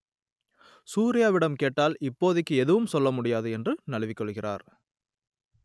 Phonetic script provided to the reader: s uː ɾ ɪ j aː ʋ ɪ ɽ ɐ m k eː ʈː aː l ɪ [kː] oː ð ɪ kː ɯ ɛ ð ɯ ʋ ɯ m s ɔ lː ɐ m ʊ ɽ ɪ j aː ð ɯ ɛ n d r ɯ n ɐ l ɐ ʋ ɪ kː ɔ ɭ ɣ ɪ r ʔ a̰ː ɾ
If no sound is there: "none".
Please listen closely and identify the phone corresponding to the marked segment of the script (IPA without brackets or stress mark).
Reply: pː